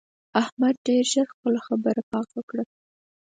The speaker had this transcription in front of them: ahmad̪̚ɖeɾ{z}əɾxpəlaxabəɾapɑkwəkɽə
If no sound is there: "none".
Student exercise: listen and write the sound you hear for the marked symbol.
ʒ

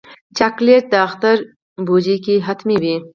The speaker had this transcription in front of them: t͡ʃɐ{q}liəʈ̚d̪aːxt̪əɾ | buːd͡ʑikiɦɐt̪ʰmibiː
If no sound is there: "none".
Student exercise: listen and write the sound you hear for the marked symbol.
k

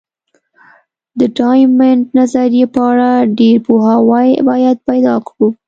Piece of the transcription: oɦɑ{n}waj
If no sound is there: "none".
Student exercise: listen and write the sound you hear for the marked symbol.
none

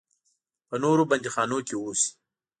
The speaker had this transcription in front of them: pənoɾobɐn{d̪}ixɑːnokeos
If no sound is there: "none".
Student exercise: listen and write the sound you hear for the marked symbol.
d̪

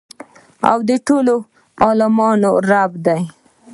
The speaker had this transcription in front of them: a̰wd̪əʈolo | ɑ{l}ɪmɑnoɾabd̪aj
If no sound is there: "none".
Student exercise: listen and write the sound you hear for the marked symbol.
l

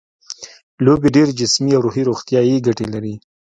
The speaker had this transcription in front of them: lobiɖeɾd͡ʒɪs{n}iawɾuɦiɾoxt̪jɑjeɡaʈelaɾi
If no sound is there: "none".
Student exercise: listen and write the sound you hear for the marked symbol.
m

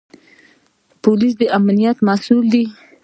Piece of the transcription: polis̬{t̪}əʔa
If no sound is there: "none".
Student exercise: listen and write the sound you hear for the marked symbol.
d̪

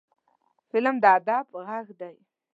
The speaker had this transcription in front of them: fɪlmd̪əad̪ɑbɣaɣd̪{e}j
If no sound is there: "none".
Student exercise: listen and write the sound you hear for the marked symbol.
a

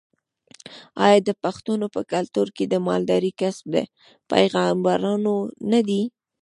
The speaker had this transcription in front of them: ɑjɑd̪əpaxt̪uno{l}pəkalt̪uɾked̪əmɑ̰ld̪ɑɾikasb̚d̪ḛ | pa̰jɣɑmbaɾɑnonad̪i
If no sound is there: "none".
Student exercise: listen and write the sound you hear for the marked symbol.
none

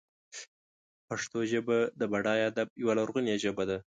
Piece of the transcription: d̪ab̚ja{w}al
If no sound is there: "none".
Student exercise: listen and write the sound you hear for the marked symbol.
w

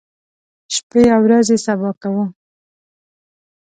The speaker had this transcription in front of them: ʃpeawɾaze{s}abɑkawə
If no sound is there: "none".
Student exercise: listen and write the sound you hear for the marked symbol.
s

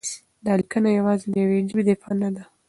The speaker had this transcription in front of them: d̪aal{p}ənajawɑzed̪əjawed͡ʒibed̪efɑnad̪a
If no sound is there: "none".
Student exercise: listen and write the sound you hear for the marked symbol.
k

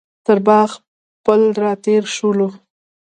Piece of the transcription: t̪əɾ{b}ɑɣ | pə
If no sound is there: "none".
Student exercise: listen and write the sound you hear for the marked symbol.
b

